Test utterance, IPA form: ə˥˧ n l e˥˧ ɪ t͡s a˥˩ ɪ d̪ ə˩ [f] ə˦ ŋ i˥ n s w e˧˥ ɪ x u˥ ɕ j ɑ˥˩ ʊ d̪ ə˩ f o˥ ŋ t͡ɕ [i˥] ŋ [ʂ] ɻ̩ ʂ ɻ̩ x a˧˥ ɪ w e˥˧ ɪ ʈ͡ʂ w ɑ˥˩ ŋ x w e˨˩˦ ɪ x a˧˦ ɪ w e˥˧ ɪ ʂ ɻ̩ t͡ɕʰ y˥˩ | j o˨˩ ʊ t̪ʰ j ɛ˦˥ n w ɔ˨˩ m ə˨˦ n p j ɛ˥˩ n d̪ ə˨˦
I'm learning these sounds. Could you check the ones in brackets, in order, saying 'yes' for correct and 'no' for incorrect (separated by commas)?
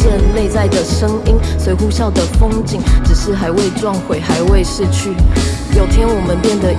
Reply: no, no, no